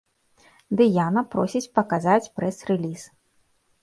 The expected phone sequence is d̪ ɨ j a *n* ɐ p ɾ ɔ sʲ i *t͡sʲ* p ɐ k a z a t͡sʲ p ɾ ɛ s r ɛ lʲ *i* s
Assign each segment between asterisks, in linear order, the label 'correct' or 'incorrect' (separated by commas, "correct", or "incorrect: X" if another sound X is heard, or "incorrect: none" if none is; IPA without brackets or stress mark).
correct, correct, correct